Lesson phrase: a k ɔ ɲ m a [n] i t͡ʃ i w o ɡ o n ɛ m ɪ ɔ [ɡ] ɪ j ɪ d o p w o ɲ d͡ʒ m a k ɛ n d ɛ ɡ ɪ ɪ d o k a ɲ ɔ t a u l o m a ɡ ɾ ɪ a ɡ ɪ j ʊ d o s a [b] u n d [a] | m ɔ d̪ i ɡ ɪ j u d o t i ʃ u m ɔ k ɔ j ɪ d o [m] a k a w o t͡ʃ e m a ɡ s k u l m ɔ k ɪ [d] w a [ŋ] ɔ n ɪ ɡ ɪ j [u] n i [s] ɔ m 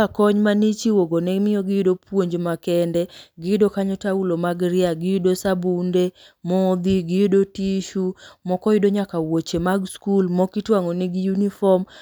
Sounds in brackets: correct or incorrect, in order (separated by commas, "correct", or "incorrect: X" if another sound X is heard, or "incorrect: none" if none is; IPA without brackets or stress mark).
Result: correct, correct, correct, incorrect: e, incorrect: ɲ, incorrect: t, correct, correct, incorrect: f